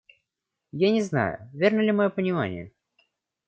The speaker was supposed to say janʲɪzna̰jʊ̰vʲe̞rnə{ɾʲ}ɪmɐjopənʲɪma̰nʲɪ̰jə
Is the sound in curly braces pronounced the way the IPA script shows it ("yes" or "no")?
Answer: no